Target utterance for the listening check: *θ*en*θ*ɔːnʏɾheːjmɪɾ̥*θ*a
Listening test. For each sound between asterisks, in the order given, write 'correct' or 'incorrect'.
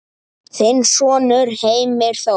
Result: correct, incorrect, correct

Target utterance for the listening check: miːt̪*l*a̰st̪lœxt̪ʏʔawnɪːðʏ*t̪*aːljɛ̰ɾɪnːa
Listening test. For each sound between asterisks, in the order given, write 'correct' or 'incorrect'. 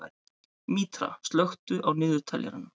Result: incorrect, incorrect

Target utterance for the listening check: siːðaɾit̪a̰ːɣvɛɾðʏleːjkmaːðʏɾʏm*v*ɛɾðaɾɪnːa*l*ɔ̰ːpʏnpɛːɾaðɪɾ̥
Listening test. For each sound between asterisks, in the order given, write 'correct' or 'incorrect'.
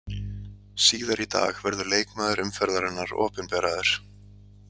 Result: incorrect, incorrect

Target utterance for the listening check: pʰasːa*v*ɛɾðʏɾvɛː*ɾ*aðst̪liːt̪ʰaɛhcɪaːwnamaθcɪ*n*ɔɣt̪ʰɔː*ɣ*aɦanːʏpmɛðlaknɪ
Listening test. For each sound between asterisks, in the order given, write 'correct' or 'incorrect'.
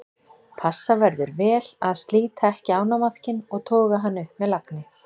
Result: correct, incorrect, correct, correct

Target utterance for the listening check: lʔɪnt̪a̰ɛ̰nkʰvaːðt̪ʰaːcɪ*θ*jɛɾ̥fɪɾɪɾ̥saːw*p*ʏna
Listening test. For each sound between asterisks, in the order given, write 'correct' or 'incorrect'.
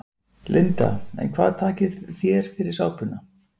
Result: correct, correct

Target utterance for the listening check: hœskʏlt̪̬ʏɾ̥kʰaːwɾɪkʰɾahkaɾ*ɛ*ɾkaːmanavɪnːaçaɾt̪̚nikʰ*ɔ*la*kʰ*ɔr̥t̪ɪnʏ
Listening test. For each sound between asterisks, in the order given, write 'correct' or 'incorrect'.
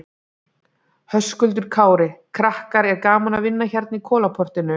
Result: correct, incorrect, incorrect

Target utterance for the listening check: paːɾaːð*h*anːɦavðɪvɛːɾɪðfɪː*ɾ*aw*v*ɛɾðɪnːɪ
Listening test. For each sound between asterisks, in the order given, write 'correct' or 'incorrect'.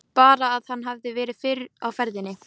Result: correct, correct, incorrect

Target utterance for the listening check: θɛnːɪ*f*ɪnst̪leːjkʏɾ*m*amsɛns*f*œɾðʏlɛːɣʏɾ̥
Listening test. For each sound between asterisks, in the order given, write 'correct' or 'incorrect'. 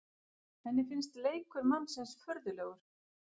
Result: correct, correct, correct

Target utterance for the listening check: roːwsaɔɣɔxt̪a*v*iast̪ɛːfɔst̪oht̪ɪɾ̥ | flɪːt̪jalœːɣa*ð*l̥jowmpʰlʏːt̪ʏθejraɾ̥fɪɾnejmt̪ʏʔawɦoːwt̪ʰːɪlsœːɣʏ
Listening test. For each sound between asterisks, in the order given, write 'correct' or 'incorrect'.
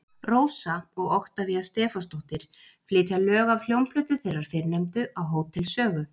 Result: correct, incorrect

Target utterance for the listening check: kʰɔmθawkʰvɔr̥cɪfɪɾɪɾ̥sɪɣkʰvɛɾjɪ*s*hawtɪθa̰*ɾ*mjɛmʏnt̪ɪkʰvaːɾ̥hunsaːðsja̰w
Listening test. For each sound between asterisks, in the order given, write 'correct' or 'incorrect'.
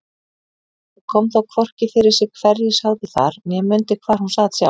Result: correct, correct

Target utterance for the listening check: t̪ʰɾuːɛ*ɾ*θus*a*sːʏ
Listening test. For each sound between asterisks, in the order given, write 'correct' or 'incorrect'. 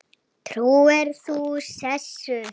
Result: correct, incorrect

